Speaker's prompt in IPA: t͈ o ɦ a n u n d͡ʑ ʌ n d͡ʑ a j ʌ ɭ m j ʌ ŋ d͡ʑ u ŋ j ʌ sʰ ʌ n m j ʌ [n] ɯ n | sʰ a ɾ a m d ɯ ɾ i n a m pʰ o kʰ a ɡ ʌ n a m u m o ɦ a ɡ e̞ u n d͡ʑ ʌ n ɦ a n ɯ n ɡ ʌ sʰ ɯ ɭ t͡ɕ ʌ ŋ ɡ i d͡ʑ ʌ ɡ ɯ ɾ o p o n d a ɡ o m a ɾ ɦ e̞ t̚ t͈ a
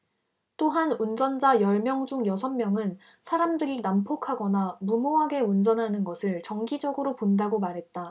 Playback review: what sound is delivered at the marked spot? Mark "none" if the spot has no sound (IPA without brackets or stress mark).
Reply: ŋ